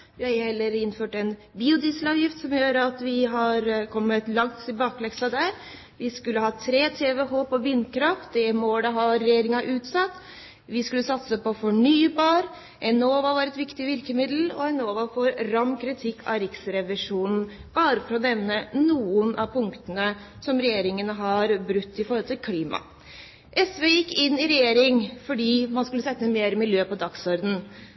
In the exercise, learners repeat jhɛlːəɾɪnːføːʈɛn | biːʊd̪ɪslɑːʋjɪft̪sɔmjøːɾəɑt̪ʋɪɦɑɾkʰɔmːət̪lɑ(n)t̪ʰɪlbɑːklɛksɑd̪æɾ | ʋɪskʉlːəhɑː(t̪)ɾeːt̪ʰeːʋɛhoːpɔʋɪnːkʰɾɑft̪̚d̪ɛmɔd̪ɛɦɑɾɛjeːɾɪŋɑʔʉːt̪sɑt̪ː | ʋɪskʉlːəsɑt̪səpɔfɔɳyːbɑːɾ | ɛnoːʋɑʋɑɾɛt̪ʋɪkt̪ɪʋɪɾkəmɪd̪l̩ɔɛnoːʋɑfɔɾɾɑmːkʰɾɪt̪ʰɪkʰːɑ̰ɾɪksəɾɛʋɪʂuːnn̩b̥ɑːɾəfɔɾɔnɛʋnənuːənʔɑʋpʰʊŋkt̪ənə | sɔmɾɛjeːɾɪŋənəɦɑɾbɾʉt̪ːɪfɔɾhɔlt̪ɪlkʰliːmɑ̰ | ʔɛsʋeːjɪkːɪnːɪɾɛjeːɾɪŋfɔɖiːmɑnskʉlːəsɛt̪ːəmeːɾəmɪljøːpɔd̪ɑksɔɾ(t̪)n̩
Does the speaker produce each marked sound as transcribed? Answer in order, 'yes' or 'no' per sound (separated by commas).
no, no, no